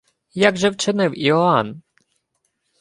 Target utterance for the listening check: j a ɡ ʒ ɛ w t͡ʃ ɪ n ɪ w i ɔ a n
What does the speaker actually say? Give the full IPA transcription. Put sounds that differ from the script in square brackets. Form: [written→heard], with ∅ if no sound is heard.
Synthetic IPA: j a ɡ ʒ ɛ w t͡ʃ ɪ n ɪ w i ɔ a n